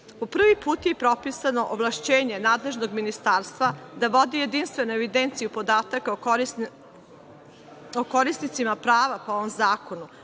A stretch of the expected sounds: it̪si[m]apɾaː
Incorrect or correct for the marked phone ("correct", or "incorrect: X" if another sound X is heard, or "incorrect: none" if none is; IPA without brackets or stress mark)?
correct